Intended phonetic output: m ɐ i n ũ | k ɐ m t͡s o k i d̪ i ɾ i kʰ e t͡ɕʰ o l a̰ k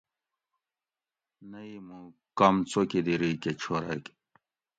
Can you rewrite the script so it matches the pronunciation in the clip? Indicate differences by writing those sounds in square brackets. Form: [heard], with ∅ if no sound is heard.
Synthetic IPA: [n] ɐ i [m] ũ | k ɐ m t͡s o k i d̪ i ɾ i [k] e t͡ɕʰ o [ɾ] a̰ k